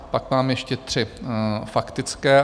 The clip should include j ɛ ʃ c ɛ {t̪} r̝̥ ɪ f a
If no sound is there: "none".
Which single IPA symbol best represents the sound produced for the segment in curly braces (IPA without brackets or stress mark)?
t̪